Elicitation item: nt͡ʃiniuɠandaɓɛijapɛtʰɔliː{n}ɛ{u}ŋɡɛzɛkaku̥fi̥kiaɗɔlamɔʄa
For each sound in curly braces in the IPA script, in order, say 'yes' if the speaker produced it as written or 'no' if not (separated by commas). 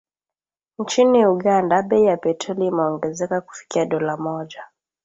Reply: no, no